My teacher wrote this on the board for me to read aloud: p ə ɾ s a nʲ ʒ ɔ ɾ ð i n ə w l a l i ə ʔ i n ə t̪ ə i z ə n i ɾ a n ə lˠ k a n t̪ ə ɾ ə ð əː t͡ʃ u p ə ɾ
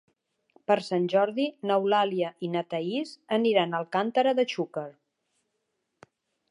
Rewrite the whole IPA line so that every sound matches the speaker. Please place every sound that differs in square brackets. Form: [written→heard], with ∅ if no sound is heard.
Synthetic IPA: p ə ɾ s a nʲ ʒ ɔ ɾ ð i n ə w l a l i ə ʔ i n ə t̪ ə i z ə n i ɾ a n ə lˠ k a n t̪ ə ɾ ə ð [əː→ə] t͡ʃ u [p→k] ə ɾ